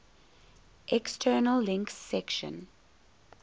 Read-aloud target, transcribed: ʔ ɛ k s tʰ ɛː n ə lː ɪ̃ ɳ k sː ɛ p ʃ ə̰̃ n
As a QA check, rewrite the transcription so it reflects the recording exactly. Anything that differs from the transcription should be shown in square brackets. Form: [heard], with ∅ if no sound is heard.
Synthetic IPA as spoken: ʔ ɛ k s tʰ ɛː n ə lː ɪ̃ [ŋ] k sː ɛ [k] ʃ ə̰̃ n